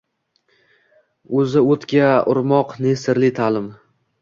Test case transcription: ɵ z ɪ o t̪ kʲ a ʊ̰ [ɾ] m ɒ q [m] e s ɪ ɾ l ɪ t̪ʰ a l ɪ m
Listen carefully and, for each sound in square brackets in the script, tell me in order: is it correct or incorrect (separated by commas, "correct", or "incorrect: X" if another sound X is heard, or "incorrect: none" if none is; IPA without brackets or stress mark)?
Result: correct, incorrect: n